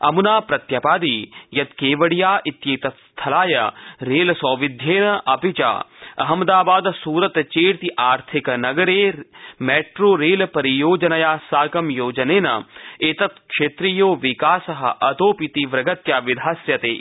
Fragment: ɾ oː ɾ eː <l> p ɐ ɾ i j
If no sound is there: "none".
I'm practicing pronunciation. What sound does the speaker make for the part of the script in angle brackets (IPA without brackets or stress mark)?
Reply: l